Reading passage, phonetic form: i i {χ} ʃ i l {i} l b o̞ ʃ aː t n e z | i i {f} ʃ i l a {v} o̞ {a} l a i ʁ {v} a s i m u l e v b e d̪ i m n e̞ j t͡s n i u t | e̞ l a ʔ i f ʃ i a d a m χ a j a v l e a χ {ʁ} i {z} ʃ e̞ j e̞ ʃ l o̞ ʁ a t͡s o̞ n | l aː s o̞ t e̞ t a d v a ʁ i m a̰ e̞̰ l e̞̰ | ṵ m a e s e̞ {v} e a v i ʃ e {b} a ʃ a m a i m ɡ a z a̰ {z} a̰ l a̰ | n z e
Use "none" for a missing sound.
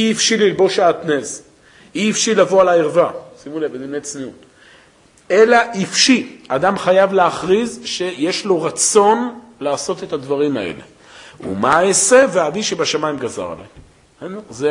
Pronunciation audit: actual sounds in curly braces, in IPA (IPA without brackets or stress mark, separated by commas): f, i, f, v, a, v, ʁ, z, v, b, ʁ